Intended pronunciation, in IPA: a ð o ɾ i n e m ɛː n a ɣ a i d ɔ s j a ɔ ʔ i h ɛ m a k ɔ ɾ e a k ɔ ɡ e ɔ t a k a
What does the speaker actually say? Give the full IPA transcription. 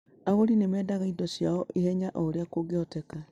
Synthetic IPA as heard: a ɣ o ɾ i n e m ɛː d a ɣ a i d ɔ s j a ɔ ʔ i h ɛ ɲ a ʔ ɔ ɾ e a k o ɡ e ɔ t ɛ k a